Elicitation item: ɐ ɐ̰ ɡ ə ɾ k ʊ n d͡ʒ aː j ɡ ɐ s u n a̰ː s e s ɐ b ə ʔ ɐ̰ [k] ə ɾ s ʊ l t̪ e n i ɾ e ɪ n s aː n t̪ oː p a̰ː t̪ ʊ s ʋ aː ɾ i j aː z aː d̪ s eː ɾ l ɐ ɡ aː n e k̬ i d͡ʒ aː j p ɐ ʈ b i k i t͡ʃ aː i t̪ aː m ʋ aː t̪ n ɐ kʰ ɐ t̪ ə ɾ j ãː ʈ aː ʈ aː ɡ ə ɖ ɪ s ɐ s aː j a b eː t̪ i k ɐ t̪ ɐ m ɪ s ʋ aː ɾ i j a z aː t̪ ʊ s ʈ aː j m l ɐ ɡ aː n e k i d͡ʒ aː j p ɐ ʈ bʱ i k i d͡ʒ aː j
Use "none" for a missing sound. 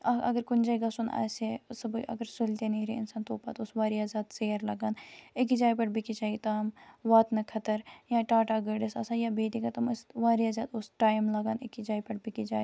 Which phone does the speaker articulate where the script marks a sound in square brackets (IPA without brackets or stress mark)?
ɡ